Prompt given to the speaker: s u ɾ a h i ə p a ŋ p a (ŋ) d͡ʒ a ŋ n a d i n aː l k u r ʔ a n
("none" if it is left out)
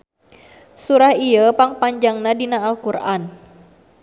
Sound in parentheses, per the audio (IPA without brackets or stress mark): ɲ